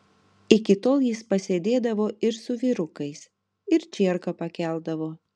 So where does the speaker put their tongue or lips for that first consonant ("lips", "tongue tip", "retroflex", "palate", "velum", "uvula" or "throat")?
velum